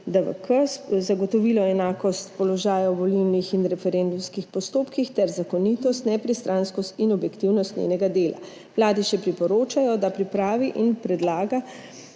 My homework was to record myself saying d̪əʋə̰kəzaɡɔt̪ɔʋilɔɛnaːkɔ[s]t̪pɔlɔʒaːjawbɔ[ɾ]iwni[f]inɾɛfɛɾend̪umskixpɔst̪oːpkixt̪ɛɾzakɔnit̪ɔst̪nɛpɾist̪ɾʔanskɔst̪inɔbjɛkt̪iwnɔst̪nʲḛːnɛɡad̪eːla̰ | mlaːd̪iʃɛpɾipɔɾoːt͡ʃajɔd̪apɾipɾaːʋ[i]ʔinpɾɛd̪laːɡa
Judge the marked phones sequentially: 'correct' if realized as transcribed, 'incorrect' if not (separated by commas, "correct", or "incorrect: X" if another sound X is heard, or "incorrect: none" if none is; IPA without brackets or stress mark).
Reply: correct, incorrect: l, incorrect: x, correct